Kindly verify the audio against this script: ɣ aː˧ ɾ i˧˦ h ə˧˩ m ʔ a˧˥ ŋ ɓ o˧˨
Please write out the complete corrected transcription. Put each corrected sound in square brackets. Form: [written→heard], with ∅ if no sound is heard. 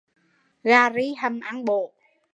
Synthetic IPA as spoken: ɣ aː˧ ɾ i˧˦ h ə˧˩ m ʔ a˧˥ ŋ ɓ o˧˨